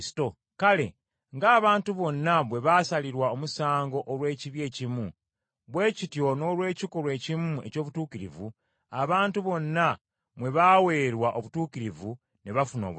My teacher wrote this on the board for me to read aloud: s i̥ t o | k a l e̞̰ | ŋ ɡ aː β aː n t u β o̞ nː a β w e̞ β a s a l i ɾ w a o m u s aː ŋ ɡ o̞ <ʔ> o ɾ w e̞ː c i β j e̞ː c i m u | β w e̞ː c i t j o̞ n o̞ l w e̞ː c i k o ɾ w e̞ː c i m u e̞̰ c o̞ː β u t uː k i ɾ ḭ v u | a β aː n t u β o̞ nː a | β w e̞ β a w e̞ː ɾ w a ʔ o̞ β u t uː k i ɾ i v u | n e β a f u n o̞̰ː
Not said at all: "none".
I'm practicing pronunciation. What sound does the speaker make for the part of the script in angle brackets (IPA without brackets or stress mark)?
ʔ